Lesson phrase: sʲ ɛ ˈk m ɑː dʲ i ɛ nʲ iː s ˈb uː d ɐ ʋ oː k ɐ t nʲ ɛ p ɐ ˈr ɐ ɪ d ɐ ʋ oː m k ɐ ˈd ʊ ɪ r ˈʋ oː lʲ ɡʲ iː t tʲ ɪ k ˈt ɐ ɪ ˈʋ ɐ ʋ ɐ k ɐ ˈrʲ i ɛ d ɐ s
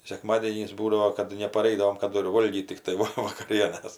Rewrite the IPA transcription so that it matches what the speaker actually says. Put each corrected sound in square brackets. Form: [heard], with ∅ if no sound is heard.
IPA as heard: sʲ ɛ ˈk m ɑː dʲ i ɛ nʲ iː s ˈb uː d ɐ ʋ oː k ɐ t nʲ ɛ p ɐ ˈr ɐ ɪ d ɐ ʋ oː m k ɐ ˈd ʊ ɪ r ˈʋ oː lʲ ɡʲ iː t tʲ ɪ k ˈt ɐ ɪ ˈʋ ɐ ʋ ɐ k ɐ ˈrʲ i ɛ [n] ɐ s